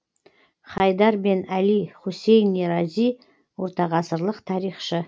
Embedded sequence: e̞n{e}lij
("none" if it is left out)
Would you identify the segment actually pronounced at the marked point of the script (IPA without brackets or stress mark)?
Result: æ